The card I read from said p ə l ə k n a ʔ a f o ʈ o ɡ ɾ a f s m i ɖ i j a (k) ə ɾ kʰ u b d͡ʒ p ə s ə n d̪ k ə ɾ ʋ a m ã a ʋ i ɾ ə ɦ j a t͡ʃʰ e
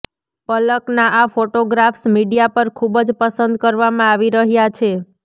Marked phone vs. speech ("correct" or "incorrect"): incorrect